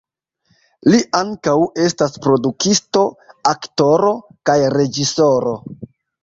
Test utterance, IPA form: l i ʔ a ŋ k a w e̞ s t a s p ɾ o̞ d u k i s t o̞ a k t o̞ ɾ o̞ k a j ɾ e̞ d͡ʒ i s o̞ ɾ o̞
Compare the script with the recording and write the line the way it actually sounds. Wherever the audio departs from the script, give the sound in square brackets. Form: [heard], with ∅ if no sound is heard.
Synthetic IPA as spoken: l i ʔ a ŋ k a w e̞ s t a s p ɾ o̞ d u k i s t o̞ a k t o̞ ɾ o̞ k a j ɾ e̞ d͡ʒ i s o̞ ɾ o̞